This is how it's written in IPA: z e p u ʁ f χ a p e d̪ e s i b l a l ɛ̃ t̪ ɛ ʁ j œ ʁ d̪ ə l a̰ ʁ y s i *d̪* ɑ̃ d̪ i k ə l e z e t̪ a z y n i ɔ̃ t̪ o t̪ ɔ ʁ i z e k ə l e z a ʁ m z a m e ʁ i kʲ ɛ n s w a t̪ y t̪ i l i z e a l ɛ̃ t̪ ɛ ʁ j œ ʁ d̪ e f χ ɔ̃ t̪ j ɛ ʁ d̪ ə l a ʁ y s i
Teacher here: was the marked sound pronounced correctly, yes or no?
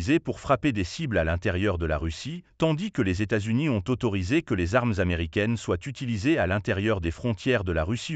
no